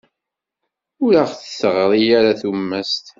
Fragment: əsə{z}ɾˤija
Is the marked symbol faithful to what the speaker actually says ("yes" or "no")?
no